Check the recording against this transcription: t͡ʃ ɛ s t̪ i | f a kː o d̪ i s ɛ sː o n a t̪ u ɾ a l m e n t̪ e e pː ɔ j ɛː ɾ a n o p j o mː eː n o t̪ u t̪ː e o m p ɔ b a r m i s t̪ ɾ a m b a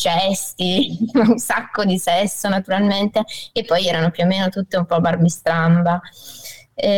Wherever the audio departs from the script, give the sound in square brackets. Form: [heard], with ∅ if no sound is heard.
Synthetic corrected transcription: t͡ʃ ɛ s t̪ i | [s] a kː o d̪ i s ɛ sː o n a t̪ u ɾ a l m e n t̪ e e pː ɔ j ɛː ɾ a n o p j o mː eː n o t̪ u t̪ː e [u] m p ɔ b a r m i s t̪ ɾ a m b a